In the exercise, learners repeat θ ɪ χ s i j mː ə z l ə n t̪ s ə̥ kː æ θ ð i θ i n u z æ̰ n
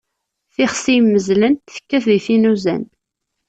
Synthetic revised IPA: θ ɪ χ s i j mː ə z l ə n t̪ θ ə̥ kː æ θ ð i θ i n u z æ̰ n